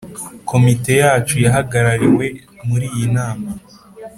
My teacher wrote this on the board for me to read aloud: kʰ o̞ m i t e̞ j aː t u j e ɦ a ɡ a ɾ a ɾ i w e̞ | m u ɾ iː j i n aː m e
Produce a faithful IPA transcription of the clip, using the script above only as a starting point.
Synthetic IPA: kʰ o̞ m i t e̞ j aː t͡ʃ u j a ɦ a ɡ a ɾ a ɾ i w e̞ | m u ɾ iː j i n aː m a